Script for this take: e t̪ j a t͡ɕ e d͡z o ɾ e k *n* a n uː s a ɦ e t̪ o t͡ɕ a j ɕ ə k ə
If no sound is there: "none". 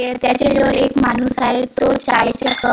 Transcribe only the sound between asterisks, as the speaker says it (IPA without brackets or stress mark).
m